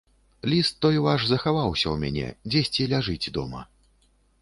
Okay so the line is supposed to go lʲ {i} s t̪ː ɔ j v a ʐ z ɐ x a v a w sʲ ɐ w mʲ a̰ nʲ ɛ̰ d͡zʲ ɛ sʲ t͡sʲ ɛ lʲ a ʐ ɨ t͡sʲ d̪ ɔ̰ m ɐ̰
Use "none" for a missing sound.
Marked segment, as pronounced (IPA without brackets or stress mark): i